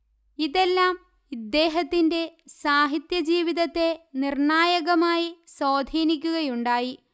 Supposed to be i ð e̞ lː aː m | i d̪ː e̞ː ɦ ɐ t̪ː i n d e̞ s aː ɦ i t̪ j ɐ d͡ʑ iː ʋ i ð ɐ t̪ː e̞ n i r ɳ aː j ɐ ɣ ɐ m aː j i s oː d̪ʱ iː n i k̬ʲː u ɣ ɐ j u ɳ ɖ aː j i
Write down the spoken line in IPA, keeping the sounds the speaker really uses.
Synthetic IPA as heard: i ð e̞ lː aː m | i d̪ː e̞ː ɦ ɐ t̪ː i n d e̞ s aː ɦ i t̪ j ɐ d͡ʑ iː ʋ i ð ɐ t̪ː e̞ n i r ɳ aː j ɐ ɣ ɐ m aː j i s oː d̪ʱ iː n i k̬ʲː u ɣ ɐ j u ɳ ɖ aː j i